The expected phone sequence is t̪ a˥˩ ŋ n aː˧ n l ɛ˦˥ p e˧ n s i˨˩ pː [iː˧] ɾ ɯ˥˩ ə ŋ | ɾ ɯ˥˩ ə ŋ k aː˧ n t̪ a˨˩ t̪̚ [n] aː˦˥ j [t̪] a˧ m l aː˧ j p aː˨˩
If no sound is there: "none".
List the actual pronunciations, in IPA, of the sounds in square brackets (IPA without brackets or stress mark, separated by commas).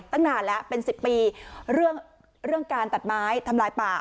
iː˧, m, t̪ʰ